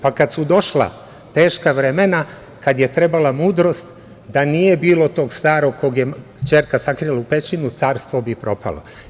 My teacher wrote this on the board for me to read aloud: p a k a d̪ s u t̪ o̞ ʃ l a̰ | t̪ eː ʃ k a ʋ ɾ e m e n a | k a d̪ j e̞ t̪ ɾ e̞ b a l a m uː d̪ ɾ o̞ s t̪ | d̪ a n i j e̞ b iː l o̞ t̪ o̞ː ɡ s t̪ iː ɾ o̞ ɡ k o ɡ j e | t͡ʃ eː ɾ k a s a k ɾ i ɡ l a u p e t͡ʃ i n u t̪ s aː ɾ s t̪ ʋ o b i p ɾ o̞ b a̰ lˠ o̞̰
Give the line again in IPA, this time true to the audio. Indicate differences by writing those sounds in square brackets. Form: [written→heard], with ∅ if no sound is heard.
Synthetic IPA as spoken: p a k a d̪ s u [t̪→d̪] o̞ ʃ l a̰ | t̪ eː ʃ k a ʋ ɾ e m e n a | k a d̪ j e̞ t̪ ɾ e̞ b a l a m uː d̪ ɾ o̞ s t̪ | d̪ a n i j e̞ b iː l o̞ t̪ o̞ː ɡ s t̪ [iː→aː] ɾ o̞ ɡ k o ɡ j e | t͡ʃ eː ɾ k a s a k ɾ i [ɡ→∅] l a u p e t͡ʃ i n u t̪ s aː ɾ s t̪ ʋ o b i p ɾ o̞ [b→p] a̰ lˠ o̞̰

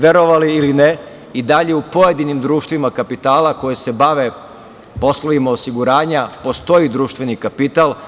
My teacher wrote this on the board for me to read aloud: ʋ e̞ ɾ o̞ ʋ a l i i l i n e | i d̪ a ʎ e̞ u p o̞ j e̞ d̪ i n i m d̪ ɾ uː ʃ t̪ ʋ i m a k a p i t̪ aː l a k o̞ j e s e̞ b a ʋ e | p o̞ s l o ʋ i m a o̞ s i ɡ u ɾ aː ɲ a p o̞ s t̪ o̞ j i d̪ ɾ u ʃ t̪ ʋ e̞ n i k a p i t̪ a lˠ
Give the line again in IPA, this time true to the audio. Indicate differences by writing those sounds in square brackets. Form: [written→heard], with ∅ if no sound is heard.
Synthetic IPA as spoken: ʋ e̞ ɾ o̞ ʋ a l i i l i n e | i d̪ a ʎ e̞ u p o̞ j e̞ d̪ i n i m d̪ ɾ uː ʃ t̪ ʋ i m a k a p i t̪ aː l a k o̞ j e s e̞ b a ʋ e | p o̞ s l o ʋ i m a o̞ s i ɡ u ɾ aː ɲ a p o̞ s t̪ o̞ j i d̪ ɾ [u→uː] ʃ t̪ ʋ e̞ n i k a p i t̪ a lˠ

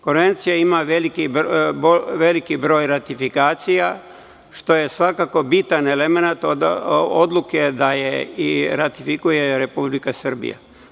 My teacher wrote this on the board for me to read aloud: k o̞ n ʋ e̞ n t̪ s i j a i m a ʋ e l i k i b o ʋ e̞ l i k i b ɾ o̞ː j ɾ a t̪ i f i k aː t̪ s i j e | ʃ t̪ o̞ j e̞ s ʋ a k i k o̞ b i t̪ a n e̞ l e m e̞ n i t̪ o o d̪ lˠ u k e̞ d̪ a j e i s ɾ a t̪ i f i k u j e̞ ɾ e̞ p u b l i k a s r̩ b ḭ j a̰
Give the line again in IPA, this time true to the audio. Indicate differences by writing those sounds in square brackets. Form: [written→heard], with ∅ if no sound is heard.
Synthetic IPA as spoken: k o̞ n ʋ e̞ n t̪ s i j a i m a ʋ e l i k i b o ʋ e̞ l i k i b ɾ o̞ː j ɾ a t̪ i f i k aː t̪ s i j [e→a] | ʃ t̪ o̞ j e̞ s ʋ a k [i→a] k o̞ b i t̪ a n e̞ l e m e̞ n [i→a] t̪ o o d̪ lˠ u k e̞ d̪ a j e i [s→∅] ɾ a t̪ i f i k u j e̞ ɾ e̞ p u b l i k a s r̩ b ḭ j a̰

